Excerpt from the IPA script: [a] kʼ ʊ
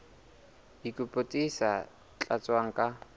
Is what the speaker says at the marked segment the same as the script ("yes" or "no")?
no